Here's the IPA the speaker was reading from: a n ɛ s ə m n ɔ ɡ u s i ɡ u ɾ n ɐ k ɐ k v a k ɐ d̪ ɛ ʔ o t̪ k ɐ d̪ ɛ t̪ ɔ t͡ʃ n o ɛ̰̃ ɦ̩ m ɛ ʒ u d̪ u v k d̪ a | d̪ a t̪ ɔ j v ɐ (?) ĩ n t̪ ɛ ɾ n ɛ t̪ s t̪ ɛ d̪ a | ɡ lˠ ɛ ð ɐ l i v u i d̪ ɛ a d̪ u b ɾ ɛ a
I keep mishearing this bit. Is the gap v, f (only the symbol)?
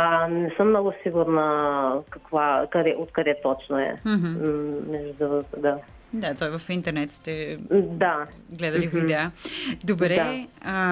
f